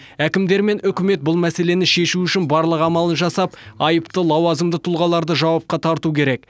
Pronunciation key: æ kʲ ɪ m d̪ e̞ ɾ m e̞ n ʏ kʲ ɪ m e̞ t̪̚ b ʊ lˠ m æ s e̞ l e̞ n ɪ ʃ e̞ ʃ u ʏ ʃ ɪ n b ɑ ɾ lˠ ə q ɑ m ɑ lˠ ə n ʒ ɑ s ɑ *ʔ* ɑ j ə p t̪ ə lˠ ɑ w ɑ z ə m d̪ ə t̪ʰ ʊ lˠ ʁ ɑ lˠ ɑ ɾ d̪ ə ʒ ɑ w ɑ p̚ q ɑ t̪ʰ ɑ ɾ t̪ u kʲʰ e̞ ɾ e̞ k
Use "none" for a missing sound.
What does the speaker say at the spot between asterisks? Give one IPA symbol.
p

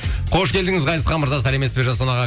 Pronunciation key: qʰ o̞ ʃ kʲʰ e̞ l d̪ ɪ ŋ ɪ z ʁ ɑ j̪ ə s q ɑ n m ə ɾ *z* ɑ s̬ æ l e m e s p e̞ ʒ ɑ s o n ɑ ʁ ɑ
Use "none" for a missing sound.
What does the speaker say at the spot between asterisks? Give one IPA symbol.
z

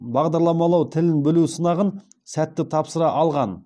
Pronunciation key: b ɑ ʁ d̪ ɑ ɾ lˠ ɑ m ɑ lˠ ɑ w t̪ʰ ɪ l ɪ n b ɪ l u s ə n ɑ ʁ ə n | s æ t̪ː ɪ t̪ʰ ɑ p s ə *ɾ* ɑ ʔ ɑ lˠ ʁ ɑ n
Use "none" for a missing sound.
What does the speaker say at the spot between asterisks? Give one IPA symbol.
ɾ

